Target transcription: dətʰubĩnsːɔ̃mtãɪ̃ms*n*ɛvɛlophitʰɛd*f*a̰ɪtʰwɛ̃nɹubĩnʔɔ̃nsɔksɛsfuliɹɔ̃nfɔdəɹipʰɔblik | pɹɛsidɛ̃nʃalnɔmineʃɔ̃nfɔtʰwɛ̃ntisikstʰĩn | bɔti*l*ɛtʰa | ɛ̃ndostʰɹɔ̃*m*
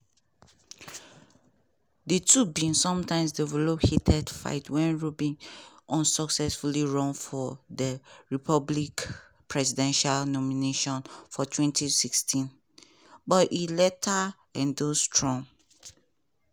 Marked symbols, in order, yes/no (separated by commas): no, yes, yes, no